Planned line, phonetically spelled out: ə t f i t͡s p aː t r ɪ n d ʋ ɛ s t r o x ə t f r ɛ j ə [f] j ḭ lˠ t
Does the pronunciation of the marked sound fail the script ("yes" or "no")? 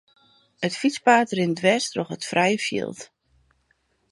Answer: no